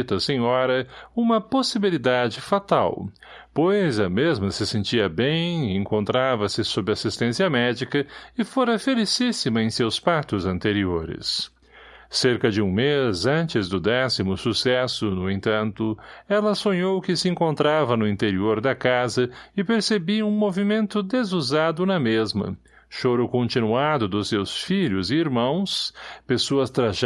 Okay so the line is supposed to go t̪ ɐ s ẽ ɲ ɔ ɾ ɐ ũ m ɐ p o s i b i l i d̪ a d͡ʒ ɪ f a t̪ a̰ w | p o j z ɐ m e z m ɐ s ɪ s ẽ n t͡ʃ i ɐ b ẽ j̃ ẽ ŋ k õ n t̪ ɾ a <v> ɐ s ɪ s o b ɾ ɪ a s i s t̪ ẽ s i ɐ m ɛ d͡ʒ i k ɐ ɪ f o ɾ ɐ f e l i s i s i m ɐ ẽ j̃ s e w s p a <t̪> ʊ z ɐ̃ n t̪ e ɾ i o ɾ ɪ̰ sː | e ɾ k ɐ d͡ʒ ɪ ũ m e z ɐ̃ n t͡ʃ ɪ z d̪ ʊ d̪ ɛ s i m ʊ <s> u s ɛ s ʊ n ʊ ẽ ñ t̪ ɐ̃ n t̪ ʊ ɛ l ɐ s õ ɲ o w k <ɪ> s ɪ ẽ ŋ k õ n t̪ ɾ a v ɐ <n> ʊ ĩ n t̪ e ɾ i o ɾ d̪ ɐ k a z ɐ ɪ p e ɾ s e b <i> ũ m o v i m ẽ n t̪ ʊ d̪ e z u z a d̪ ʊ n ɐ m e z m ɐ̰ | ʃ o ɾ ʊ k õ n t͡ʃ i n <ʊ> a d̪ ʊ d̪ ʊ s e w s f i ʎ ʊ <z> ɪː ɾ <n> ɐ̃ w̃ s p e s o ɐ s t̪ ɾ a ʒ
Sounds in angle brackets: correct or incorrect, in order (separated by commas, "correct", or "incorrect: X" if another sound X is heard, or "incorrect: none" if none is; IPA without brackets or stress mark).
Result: correct, correct, correct, correct, correct, correct, incorrect: u, correct, incorrect: m